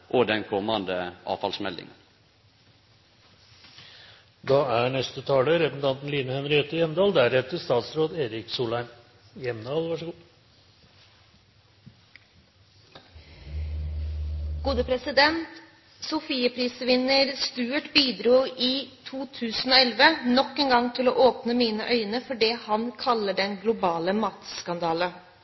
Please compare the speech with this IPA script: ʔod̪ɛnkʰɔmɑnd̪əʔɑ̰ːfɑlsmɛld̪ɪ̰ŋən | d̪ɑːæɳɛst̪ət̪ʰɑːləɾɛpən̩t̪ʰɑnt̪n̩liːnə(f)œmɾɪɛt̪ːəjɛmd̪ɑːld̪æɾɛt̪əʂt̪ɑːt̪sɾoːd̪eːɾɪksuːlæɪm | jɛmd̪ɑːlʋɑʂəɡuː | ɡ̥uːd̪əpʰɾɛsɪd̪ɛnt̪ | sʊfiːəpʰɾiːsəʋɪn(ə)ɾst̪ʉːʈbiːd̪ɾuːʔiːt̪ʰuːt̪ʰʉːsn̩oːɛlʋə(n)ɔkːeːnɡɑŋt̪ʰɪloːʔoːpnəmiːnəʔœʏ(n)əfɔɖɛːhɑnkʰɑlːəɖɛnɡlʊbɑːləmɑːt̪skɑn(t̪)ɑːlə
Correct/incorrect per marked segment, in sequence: incorrect, correct, correct, correct, incorrect

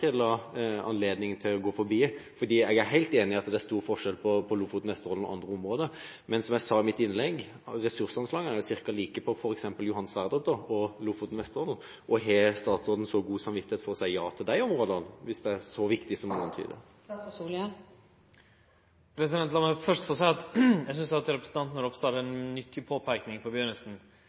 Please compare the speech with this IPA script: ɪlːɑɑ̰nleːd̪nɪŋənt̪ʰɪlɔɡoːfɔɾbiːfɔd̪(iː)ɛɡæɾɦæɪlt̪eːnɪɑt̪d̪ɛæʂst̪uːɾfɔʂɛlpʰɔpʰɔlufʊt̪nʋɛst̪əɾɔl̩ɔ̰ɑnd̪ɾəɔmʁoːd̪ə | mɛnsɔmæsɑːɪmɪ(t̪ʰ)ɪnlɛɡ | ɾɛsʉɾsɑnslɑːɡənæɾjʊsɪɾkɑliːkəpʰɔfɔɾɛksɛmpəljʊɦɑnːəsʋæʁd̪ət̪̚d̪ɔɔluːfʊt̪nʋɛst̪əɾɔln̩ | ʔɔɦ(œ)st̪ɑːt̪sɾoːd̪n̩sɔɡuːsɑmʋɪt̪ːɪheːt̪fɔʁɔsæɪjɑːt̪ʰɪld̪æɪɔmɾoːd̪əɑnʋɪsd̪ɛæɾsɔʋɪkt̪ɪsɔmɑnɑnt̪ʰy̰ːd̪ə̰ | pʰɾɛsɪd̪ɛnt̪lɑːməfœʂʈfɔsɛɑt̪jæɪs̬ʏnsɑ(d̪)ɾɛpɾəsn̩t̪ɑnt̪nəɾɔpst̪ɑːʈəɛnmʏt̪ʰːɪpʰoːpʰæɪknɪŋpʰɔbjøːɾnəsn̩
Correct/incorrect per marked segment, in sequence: correct, incorrect, incorrect, incorrect

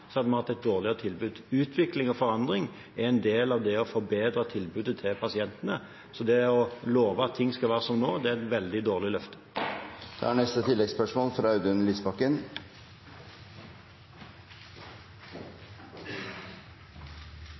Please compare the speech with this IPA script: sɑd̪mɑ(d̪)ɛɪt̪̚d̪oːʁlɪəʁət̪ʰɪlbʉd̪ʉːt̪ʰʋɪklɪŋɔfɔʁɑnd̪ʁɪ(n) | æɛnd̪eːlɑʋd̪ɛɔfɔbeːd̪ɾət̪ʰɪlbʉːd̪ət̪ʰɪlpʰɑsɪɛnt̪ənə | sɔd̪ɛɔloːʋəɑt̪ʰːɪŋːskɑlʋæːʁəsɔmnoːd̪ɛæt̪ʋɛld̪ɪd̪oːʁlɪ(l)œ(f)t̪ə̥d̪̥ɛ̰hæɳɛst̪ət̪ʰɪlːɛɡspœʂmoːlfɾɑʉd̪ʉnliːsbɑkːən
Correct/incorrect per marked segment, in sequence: incorrect, incorrect, correct, correct

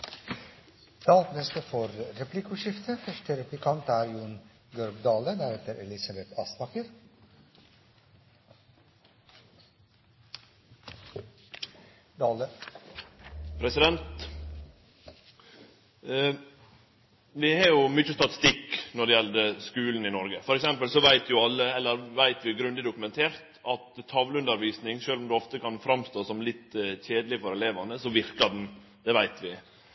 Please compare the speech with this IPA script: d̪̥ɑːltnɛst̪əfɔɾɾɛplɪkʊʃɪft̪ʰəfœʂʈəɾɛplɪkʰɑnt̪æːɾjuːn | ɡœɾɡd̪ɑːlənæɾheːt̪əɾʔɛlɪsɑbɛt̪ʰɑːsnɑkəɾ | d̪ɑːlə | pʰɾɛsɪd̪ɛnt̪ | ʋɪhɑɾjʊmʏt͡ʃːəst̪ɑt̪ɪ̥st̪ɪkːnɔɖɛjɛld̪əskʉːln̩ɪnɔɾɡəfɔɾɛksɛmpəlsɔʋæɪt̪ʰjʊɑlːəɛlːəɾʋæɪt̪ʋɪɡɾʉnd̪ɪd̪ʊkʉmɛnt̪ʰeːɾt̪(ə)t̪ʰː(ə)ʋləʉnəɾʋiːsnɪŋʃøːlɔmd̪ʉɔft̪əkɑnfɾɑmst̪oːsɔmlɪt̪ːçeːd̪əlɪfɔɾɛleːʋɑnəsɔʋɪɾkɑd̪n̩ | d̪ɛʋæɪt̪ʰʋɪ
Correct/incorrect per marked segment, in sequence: incorrect, incorrect

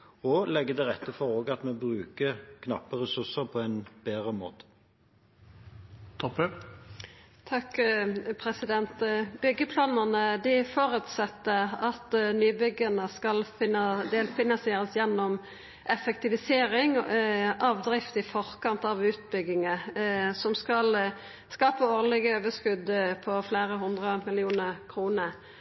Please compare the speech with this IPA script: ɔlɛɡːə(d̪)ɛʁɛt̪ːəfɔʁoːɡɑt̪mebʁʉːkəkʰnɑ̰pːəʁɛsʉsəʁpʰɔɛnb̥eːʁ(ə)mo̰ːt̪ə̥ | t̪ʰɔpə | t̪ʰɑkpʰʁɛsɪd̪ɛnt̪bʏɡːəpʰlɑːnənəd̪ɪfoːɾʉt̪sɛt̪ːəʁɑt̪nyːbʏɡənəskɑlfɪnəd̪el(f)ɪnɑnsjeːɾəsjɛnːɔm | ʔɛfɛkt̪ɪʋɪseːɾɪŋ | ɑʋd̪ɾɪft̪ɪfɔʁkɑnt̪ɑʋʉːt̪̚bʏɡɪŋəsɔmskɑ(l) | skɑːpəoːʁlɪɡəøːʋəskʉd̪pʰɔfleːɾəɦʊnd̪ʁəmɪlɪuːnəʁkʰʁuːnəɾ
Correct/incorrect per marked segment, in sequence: correct, correct, correct, correct

